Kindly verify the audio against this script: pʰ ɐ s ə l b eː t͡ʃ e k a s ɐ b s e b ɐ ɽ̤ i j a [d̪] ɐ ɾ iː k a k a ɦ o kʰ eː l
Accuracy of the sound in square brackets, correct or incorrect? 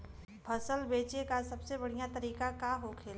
incorrect